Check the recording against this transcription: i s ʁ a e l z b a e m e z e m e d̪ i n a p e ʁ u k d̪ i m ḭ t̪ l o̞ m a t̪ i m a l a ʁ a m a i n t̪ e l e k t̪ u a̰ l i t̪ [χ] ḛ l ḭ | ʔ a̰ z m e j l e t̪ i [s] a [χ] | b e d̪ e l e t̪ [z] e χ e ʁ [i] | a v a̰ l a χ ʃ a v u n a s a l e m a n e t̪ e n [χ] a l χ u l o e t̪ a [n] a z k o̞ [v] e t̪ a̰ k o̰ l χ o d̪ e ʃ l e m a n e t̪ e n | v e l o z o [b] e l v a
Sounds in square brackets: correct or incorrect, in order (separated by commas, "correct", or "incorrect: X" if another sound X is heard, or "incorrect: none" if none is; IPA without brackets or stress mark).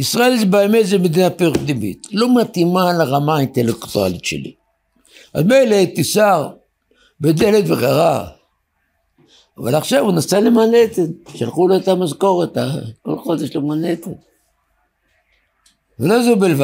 incorrect: ʃ, correct, incorrect: ʁ, incorrect: v, incorrect: a, incorrect: ʃ, incorrect: m, incorrect: ʁ, correct